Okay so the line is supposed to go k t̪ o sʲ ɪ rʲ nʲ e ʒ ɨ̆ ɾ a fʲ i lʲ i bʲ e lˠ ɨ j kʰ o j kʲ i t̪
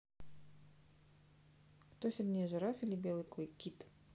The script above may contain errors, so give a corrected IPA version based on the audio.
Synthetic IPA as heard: k t̪ o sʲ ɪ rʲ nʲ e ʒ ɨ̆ ɾ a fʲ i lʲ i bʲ e lˠ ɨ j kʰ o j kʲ i t̪